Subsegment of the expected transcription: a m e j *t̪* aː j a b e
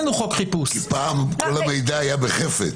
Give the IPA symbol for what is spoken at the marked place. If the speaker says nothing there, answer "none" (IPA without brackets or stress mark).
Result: d̪